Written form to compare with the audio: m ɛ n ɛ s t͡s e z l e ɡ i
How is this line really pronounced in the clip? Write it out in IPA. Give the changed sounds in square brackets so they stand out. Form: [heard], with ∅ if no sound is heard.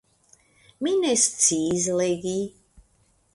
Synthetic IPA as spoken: m [i] n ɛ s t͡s [i] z l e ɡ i